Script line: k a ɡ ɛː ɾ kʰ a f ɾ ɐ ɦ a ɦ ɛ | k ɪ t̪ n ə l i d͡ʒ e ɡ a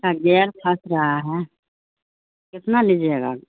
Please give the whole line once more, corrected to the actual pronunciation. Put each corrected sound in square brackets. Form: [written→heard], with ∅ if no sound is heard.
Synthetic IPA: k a ɡ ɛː ɾ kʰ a [f→s] ɾ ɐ ɦ a ɦ ɛ | k ɪ t̪ n [ə→a] l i d͡ʒ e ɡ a